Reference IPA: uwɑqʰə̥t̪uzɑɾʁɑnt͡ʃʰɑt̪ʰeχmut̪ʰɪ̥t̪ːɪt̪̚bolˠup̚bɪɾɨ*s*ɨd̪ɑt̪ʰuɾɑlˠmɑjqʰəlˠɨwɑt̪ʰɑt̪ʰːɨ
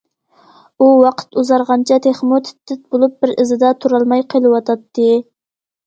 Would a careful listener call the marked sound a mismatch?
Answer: yes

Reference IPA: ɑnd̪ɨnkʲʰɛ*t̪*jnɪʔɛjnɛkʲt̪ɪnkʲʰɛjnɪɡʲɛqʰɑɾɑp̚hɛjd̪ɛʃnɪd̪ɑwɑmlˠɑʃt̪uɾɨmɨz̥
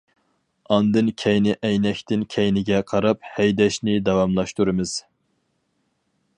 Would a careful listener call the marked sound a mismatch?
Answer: yes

